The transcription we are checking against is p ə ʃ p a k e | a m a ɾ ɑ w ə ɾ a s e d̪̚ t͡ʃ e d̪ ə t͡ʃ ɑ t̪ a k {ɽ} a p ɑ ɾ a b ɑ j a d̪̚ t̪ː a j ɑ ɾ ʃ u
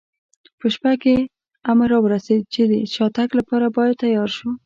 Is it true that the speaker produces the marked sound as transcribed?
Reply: no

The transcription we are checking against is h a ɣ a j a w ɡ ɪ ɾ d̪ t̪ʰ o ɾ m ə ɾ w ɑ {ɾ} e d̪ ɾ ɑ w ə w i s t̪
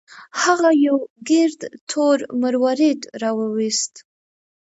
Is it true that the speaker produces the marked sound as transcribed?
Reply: yes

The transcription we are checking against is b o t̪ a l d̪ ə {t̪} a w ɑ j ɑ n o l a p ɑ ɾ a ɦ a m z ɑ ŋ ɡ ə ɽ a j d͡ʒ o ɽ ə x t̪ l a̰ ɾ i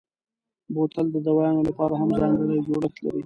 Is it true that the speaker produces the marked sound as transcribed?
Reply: no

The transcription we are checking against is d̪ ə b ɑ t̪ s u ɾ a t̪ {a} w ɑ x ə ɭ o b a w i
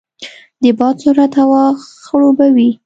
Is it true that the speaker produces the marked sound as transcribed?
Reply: yes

